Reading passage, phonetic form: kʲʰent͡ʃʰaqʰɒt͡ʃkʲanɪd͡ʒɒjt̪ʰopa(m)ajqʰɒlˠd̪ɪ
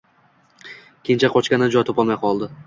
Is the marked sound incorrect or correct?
correct